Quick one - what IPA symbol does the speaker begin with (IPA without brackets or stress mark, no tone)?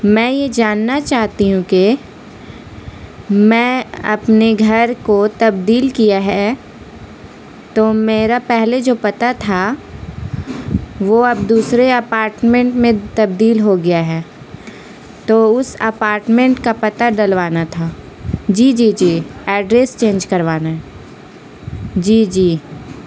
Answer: m